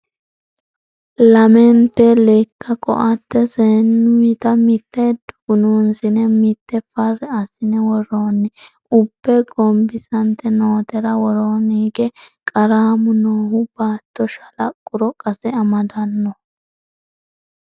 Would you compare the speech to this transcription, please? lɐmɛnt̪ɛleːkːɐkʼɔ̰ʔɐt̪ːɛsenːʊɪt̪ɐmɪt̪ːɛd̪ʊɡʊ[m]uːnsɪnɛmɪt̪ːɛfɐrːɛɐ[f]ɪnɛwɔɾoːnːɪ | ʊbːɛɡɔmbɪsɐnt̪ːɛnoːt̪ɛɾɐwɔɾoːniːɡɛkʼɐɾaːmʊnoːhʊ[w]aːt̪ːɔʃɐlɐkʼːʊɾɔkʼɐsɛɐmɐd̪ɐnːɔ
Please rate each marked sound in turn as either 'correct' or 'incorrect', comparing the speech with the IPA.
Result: incorrect, incorrect, incorrect

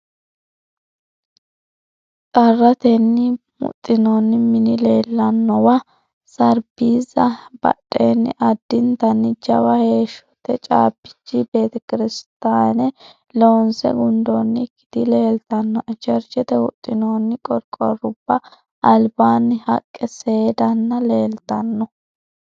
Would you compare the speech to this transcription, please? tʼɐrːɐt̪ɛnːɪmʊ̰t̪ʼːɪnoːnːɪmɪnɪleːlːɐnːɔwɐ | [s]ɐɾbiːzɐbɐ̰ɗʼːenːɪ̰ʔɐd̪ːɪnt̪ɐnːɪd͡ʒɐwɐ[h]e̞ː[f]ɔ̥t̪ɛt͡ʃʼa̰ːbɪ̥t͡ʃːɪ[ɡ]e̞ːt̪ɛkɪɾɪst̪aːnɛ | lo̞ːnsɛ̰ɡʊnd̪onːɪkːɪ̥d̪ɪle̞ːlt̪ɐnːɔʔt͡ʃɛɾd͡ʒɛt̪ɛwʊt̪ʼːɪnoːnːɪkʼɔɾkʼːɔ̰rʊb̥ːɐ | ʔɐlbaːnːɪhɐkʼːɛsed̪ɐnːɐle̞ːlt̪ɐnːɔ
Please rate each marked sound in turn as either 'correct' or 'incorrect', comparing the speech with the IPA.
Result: correct, correct, incorrect, incorrect

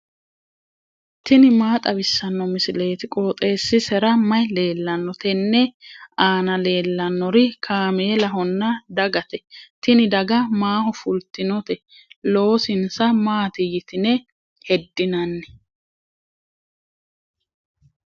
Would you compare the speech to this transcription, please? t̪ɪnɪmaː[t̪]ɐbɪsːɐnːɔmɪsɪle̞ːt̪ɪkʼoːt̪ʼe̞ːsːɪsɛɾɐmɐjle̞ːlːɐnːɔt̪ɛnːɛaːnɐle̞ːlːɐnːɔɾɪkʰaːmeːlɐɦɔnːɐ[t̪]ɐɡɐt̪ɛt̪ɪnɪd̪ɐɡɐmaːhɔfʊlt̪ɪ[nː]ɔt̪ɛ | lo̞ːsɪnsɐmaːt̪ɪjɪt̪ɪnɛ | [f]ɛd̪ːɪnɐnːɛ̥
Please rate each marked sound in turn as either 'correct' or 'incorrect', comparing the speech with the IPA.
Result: incorrect, incorrect, incorrect, incorrect

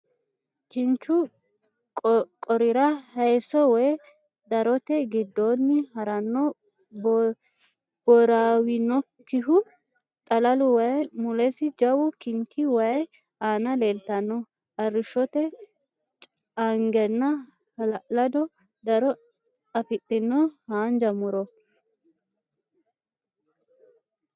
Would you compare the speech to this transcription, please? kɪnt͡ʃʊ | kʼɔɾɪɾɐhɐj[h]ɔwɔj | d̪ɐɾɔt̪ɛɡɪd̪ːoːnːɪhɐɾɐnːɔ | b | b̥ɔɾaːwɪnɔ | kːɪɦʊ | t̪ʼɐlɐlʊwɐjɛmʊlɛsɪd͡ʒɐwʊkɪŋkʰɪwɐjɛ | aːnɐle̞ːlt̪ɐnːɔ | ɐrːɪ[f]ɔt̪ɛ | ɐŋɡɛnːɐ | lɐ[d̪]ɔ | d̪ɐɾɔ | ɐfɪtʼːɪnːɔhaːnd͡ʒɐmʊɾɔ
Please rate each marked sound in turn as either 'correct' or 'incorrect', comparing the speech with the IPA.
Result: incorrect, incorrect, correct

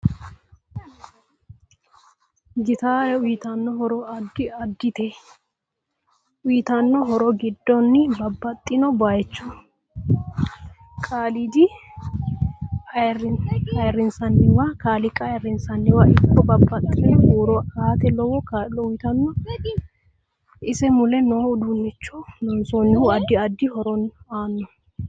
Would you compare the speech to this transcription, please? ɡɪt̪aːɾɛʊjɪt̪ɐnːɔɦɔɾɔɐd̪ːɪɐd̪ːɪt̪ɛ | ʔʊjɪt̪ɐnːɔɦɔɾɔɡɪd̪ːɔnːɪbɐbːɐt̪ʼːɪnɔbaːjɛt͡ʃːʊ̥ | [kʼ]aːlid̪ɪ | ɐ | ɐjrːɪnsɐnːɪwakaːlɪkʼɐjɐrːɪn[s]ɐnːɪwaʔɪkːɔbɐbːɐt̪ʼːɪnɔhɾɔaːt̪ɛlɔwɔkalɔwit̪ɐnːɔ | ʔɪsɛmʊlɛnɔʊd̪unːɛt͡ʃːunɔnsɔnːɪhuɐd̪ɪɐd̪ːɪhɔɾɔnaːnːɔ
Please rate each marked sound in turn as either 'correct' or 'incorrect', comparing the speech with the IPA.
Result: correct, correct

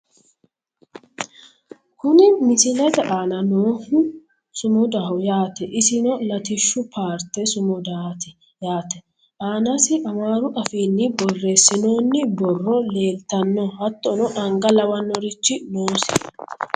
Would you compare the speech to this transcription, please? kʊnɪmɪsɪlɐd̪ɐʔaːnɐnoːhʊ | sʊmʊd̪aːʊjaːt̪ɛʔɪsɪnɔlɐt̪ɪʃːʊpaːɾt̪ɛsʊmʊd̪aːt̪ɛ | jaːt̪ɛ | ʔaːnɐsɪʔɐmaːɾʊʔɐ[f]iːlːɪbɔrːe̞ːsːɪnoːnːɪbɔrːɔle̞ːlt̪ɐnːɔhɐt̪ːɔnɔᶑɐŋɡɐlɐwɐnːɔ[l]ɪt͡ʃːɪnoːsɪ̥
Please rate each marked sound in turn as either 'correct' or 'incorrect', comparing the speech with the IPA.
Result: correct, incorrect

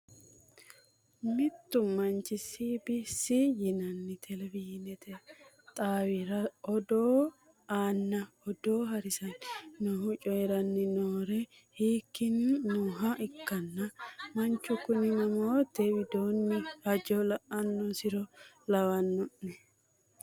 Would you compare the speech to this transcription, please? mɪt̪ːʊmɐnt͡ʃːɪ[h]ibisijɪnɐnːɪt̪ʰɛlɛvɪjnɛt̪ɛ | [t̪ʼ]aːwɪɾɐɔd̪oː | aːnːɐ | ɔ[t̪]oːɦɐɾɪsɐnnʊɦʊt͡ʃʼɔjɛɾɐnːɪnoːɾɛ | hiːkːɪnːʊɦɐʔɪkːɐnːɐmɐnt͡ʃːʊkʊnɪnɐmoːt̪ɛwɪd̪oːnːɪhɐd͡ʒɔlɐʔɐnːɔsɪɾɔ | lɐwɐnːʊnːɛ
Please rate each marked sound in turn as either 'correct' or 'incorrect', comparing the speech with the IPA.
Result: incorrect, correct, incorrect

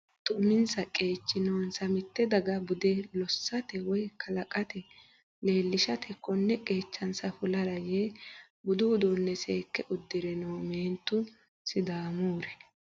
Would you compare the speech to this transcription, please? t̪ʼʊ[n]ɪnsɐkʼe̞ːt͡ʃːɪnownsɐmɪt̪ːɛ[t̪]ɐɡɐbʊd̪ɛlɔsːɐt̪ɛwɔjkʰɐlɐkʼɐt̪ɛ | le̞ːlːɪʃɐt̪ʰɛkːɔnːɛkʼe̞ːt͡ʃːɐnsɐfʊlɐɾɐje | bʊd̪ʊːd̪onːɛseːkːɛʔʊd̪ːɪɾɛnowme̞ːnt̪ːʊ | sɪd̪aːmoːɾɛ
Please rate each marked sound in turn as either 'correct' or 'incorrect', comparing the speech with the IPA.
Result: incorrect, incorrect

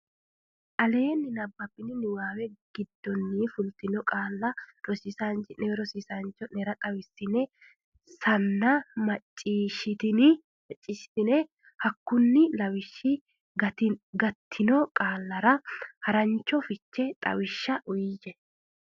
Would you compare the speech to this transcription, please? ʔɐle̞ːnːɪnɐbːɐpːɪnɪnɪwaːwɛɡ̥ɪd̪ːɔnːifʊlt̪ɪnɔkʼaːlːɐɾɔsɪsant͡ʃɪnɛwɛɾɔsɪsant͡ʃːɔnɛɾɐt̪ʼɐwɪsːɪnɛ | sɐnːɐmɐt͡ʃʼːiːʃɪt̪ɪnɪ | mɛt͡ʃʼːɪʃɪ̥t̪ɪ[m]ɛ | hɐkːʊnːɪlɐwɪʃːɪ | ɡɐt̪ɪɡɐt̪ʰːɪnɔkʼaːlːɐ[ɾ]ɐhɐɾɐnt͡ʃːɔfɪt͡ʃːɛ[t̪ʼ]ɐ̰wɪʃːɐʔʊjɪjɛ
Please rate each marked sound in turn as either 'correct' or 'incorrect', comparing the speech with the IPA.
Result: incorrect, correct, correct

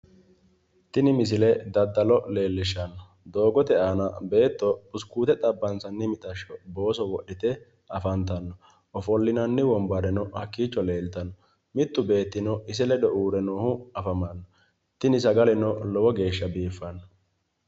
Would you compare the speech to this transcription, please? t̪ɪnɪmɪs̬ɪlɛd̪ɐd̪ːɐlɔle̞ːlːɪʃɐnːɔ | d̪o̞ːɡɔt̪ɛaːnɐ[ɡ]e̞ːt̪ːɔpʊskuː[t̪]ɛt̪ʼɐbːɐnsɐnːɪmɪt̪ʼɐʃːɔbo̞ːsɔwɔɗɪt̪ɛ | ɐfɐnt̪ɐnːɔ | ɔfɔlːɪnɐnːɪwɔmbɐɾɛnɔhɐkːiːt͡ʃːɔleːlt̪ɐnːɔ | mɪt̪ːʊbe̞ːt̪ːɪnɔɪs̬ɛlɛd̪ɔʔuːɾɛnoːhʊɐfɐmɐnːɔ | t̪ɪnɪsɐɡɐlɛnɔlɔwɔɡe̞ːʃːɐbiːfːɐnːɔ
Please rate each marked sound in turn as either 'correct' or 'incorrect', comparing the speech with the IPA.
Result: incorrect, correct

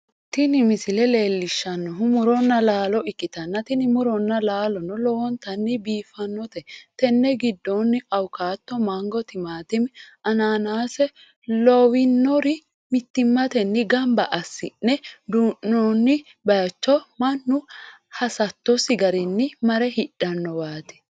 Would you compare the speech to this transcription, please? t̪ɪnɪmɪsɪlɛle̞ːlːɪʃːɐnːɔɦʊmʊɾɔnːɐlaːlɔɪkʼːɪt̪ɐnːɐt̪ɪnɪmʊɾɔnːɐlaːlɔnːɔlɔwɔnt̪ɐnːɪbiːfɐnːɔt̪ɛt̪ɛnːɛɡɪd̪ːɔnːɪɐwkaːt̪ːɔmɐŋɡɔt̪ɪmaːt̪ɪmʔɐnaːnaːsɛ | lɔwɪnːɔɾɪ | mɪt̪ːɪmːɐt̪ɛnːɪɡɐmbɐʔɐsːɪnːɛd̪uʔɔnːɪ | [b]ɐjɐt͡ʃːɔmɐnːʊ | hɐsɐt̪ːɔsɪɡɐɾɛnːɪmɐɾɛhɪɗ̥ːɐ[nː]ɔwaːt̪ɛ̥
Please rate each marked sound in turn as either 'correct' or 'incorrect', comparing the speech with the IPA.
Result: correct, correct

